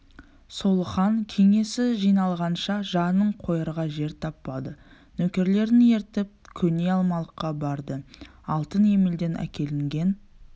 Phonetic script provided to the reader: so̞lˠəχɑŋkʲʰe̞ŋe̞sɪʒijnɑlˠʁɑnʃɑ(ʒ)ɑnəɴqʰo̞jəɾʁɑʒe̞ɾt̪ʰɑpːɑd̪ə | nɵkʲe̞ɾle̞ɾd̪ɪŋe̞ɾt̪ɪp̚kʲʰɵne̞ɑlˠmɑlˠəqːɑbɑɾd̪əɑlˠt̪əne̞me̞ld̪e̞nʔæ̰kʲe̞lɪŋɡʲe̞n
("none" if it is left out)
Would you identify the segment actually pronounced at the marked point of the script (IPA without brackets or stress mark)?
ʒ